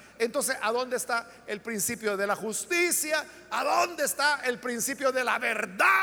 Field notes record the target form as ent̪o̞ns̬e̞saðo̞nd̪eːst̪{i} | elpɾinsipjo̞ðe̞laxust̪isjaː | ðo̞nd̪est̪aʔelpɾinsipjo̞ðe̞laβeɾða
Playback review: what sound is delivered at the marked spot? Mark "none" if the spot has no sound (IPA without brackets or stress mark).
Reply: a